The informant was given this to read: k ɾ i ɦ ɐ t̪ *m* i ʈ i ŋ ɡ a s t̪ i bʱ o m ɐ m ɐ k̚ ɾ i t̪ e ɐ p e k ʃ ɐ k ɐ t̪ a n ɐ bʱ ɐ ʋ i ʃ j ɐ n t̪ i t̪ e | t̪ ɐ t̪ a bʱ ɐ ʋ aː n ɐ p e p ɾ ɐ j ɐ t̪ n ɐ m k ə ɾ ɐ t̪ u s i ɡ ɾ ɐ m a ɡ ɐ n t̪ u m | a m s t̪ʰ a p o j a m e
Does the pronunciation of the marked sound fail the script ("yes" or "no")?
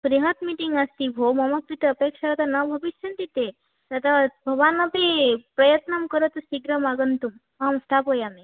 no